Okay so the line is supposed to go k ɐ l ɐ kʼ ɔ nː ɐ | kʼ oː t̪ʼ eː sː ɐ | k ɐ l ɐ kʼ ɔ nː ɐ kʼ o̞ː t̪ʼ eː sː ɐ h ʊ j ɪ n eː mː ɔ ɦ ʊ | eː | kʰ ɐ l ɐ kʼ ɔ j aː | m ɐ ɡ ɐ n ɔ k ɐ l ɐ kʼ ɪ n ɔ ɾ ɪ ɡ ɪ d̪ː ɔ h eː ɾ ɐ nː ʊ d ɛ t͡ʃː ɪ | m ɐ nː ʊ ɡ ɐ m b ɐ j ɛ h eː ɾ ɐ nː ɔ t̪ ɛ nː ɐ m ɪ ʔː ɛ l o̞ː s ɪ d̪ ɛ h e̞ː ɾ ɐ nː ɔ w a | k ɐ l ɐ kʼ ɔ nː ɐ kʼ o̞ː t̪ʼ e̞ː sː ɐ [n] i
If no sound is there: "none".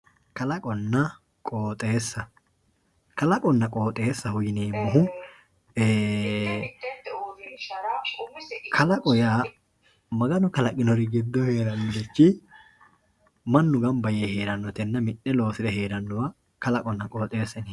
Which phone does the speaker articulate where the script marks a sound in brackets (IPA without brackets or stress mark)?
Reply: n